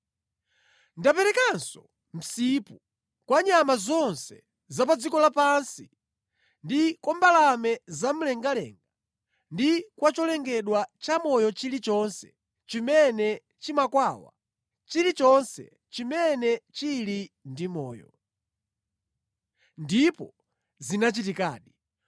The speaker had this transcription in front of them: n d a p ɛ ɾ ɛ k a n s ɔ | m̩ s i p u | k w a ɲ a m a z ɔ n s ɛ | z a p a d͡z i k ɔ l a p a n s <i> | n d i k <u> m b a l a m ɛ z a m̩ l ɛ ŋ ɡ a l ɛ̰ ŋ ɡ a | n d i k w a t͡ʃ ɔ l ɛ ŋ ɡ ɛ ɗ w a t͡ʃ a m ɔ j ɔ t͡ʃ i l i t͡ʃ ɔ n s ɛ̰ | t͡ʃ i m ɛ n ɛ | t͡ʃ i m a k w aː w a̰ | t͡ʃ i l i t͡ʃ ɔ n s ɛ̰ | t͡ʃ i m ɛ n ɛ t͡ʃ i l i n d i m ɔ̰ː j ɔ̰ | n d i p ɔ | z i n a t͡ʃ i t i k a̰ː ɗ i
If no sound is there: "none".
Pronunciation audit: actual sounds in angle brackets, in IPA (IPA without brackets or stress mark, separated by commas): i, ɔ